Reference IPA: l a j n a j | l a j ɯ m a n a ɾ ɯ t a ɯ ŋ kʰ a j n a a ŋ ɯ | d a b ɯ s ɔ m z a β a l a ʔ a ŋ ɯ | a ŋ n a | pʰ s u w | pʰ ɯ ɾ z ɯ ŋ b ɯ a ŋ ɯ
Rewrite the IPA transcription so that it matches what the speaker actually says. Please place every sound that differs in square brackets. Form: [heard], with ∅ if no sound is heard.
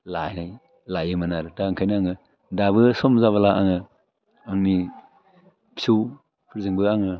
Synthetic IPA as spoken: l a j n a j | l a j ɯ m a n a ɾ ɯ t a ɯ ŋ kʰ a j n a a ŋ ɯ | d a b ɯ s ɔ m z a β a l a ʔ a ŋ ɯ | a ŋ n [i] | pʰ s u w | pʰ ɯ ɾ z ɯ ŋ b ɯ a ŋ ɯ